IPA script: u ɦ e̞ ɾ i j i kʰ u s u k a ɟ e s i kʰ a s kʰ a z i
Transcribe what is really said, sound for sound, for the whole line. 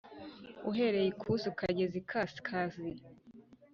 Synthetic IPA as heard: u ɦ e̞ ɾ e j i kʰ u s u k a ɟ e z i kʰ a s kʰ a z i